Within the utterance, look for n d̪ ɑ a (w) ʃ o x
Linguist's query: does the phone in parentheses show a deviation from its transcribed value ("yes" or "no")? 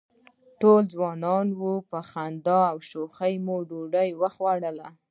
no